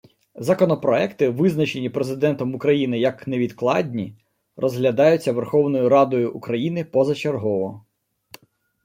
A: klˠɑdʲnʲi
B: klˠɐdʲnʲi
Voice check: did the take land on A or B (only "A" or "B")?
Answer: A